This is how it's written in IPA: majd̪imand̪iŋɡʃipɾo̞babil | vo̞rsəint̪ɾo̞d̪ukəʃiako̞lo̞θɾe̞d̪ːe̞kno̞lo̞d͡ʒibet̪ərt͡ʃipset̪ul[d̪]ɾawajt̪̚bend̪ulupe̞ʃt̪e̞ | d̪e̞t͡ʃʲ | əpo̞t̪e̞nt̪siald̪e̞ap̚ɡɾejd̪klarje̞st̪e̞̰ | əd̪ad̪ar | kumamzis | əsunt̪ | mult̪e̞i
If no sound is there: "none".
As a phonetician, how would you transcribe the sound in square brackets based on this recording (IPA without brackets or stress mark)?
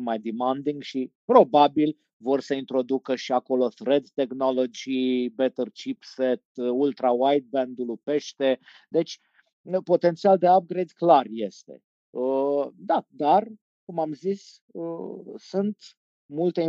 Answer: t̪